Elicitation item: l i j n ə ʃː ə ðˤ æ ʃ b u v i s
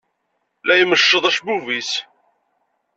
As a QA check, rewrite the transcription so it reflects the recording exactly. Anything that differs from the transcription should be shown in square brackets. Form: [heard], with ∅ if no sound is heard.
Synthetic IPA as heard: l [æ] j [m] ə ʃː ə ðˤ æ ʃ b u v i s